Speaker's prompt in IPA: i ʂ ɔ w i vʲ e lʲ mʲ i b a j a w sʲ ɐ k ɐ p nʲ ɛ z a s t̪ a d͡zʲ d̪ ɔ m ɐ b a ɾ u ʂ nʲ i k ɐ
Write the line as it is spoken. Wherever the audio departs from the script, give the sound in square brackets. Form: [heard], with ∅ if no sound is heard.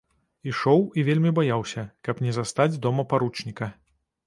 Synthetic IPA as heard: i ʂ ɔ w i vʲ e lʲ mʲ i b a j a w sʲ ɐ k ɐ p nʲ ɛ z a s t̪ a d͡zʲ d̪ ɔ m ɐ [p] a ɾ u [t͡ʂ] nʲ i k ɐ